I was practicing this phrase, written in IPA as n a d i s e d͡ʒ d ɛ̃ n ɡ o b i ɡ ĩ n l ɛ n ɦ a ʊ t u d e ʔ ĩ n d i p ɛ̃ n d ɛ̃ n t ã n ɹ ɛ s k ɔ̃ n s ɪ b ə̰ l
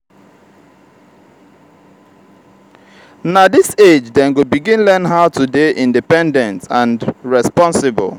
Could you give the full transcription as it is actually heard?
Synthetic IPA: n a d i s e d͡ʒ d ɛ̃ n ɡ o b i ɡ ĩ n l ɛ n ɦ a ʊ t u d e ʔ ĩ n d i p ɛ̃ n d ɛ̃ n t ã n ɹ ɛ s p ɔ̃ n s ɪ b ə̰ l